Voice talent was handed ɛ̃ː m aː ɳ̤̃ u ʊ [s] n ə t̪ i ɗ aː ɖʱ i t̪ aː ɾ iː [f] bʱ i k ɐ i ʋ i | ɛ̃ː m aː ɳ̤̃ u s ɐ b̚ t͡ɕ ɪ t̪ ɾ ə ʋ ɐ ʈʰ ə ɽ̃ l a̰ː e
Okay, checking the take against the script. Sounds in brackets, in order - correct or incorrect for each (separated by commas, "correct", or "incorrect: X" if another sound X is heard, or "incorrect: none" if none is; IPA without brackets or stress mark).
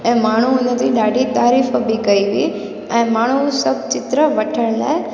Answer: incorrect: none, correct